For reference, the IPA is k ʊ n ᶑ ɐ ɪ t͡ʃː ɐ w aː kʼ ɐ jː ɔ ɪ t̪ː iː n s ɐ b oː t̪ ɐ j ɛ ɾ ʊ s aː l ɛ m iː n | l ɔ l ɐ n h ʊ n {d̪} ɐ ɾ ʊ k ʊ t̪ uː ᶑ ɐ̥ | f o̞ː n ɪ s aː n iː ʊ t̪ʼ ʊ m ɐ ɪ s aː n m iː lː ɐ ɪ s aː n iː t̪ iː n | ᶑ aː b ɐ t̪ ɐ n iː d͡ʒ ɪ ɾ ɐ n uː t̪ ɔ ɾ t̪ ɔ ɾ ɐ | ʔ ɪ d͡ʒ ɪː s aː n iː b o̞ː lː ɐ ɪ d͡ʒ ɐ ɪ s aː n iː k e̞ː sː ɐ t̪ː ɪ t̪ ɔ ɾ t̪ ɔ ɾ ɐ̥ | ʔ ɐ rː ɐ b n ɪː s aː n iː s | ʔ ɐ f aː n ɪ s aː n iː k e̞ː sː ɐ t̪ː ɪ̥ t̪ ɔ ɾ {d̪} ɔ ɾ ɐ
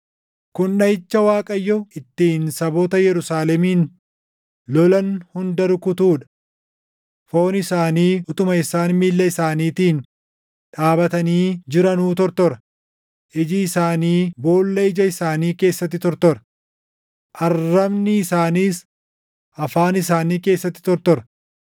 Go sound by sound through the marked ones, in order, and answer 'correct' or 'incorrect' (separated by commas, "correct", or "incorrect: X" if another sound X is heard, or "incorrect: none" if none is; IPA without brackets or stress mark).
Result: correct, incorrect: t̪